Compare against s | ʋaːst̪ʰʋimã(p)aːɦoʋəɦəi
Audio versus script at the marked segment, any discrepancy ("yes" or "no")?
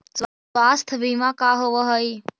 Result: yes